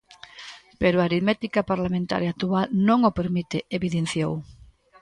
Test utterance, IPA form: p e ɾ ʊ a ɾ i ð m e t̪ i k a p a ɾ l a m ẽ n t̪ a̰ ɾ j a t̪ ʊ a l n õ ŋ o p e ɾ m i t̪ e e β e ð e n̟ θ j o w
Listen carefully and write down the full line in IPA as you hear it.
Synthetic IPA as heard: p e ɾ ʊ a ɾ i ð m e t̪ i k a p a ɾ l a m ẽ n t̪ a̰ ɾ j a t̪ u a l n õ ŋ o p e ɾ m i t̪ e e β i ð e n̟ θ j o w